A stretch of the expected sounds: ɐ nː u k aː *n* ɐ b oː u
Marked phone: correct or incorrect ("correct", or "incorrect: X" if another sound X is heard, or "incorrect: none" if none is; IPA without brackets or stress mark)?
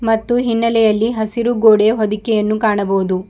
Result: incorrect: ɳ